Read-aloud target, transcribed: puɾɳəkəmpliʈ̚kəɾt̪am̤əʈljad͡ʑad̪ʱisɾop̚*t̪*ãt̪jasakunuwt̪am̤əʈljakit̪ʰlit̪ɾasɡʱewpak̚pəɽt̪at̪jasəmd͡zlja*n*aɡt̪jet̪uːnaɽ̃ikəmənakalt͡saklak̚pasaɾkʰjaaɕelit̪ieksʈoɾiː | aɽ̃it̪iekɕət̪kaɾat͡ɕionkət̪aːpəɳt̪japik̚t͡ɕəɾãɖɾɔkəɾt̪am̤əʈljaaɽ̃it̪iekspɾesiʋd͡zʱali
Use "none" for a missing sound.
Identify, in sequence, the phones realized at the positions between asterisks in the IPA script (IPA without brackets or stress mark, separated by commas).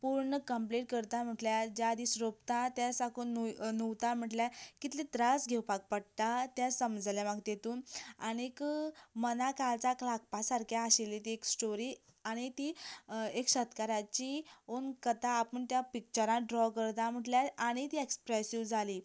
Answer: t̪, m